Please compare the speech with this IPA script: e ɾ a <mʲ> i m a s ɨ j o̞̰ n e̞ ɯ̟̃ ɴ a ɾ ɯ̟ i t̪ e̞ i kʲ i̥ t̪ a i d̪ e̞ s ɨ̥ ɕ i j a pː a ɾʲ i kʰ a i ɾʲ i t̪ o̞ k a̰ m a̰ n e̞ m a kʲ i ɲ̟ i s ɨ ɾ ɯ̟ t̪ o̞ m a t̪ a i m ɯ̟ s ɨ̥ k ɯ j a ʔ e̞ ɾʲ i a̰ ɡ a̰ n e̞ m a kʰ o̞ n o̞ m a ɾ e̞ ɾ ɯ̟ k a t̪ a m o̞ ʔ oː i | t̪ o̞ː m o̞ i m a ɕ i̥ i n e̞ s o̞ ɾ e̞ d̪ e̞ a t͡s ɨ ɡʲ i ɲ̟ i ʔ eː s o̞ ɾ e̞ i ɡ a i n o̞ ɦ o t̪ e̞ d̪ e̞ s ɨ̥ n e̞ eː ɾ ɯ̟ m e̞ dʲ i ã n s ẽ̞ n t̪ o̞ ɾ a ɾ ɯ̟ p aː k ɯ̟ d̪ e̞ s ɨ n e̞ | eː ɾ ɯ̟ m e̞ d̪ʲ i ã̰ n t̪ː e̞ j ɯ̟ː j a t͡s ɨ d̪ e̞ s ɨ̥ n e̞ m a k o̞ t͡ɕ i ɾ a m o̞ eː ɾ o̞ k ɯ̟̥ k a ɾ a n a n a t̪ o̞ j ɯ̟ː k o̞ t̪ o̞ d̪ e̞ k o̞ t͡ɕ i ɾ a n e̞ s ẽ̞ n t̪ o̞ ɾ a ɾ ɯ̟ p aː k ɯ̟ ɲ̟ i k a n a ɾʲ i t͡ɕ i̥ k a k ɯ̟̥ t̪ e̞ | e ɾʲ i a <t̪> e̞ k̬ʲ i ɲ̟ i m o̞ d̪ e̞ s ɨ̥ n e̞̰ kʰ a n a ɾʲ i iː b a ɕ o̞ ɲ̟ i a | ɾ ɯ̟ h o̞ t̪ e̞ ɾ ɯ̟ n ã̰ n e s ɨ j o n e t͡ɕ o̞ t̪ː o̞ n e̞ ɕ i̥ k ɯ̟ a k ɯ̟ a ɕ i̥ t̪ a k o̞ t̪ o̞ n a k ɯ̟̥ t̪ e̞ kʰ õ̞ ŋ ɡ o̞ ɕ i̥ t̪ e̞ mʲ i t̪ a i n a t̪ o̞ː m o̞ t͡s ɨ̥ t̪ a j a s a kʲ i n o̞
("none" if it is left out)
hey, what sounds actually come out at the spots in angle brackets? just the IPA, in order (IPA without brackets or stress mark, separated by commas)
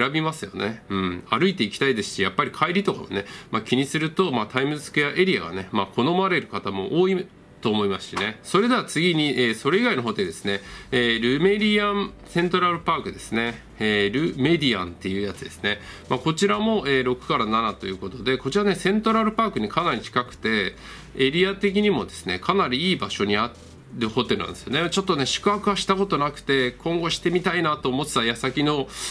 bʲ, t̪